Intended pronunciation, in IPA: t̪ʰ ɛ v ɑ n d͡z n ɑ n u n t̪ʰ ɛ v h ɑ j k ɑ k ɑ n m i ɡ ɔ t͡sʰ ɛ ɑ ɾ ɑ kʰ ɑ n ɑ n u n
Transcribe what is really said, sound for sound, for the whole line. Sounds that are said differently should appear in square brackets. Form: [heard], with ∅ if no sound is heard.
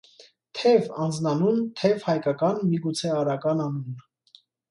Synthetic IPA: t̪ʰ ɛ v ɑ n d͡z n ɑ n u n t̪ʰ ɛ v h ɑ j k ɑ k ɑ n m i ɡ [u] t͡sʰ ɛ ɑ ɾ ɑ [k] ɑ n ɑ n u n